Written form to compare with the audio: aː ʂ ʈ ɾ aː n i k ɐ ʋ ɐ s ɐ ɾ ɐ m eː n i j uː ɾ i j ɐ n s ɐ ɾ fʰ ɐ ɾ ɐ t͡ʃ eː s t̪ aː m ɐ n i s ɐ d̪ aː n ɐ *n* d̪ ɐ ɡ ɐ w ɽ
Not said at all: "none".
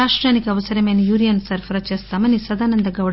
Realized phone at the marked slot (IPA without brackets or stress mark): n